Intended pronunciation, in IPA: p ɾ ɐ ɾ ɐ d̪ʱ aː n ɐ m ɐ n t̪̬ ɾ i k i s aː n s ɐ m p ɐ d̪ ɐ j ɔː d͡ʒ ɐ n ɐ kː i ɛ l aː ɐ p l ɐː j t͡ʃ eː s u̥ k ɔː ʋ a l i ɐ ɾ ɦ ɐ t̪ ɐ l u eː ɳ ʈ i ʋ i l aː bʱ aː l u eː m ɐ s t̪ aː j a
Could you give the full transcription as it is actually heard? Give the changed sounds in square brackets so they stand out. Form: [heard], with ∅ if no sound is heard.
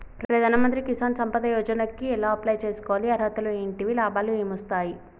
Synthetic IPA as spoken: p ɾ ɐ ɾ ɐ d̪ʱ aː n ɐ m ɐ n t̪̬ ɾ i k i s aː n s ɐ m p ɐ d̪ ɐ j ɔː d͡ʒ ɐ n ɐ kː i ɛ l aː ɐ p l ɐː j t͡ʃ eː s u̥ k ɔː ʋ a l i ɐ ɾ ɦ ɐ t̪ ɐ l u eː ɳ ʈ i ʋ i l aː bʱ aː l u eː m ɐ s t̪ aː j [i]